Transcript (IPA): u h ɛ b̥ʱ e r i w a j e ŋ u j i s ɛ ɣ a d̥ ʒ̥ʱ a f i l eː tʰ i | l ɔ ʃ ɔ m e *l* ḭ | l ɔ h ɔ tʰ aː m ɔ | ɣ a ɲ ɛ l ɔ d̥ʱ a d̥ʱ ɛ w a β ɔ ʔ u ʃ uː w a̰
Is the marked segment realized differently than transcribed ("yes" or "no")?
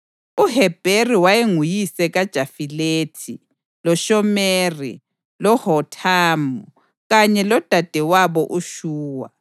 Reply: yes